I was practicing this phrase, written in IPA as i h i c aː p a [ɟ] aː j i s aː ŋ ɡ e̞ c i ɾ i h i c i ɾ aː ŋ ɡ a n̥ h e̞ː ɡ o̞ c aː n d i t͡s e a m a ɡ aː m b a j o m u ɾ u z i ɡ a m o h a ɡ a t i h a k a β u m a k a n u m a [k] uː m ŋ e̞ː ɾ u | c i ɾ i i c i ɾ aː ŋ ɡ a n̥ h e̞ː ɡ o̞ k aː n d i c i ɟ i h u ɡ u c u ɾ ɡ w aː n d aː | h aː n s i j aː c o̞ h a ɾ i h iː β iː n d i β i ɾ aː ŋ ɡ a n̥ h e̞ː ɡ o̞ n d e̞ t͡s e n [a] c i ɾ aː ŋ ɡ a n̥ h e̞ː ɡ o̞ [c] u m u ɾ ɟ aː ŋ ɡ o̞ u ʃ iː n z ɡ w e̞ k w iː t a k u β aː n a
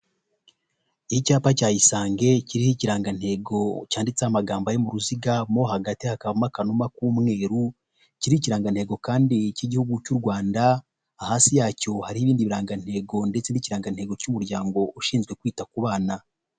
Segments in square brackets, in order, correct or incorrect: incorrect: c, correct, incorrect: i, correct

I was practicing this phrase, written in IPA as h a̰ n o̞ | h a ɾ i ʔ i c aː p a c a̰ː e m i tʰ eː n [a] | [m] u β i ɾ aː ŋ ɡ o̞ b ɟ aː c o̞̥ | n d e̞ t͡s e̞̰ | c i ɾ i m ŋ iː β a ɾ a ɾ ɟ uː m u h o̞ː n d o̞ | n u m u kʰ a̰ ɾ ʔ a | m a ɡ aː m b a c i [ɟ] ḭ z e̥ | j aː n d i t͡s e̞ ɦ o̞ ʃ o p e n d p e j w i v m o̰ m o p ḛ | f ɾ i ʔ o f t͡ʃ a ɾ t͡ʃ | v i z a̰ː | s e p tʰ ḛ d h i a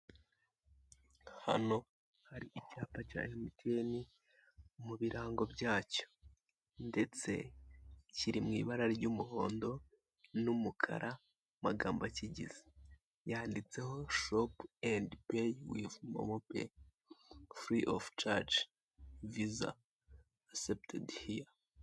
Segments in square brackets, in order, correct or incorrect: incorrect: i, correct, correct

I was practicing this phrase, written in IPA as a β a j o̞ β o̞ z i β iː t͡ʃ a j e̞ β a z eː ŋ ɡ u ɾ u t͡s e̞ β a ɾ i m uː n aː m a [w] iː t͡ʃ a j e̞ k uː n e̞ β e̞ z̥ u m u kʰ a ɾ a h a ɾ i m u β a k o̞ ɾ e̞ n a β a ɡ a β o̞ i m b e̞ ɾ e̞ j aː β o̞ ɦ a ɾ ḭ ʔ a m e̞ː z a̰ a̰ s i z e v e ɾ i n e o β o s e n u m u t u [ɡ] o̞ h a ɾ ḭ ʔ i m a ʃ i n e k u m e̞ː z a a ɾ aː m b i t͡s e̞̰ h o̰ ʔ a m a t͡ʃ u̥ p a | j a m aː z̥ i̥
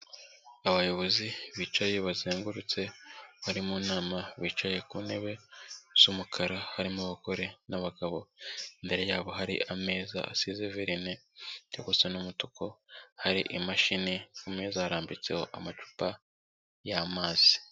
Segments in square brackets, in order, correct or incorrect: incorrect: β, incorrect: k

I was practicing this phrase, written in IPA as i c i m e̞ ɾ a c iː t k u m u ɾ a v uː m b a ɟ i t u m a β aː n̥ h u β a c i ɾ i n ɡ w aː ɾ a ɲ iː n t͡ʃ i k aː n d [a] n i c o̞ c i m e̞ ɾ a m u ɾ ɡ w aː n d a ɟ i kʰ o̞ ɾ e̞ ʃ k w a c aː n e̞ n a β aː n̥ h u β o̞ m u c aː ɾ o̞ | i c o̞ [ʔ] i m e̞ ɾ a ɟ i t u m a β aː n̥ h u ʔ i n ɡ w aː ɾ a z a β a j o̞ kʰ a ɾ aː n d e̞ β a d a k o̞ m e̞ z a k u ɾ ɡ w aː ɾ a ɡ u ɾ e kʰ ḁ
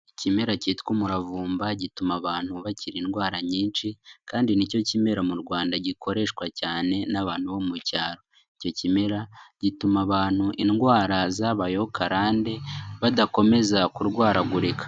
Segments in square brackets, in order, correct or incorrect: incorrect: i, incorrect: c

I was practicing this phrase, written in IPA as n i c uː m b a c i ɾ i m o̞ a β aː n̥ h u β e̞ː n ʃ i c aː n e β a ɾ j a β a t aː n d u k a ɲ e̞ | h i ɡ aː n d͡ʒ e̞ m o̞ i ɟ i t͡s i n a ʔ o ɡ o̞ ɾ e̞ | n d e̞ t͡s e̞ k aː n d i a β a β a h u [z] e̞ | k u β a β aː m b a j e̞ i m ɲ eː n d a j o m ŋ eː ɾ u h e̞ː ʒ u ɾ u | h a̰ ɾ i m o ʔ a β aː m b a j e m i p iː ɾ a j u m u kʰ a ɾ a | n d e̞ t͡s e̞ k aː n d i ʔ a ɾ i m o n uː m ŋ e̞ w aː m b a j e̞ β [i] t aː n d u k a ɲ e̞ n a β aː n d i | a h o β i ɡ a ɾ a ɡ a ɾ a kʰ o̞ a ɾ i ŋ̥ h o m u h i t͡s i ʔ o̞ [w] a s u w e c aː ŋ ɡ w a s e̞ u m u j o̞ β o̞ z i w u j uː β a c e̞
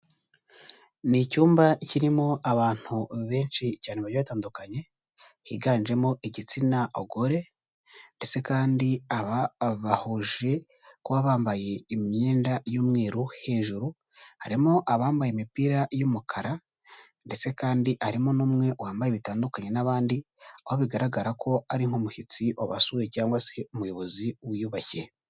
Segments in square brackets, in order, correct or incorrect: incorrect: ʒ, correct, incorrect: β

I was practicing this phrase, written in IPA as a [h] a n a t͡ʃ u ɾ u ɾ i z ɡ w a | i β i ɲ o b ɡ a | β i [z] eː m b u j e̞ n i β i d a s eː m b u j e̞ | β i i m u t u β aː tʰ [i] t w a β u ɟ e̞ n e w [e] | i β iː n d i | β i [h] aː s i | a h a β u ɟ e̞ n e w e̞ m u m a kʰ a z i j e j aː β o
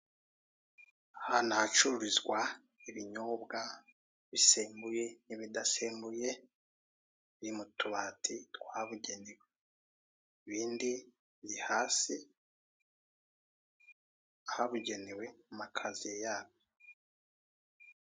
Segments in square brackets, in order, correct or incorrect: correct, incorrect: s, correct, correct, correct

